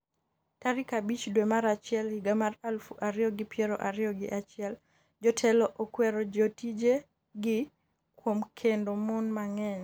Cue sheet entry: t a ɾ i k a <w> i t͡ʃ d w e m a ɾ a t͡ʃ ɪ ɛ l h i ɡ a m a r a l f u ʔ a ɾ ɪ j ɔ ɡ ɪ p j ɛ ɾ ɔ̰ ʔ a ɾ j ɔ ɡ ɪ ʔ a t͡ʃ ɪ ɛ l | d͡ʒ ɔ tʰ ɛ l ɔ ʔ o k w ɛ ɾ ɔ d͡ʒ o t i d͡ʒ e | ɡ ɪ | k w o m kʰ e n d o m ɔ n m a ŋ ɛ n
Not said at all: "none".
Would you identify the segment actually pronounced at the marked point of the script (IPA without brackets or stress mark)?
b